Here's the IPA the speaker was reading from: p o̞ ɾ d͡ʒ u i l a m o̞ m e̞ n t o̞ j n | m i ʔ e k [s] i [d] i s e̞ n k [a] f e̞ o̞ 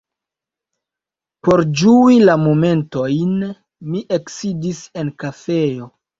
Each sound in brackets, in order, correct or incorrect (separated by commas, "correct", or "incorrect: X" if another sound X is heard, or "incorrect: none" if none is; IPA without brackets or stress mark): correct, correct, correct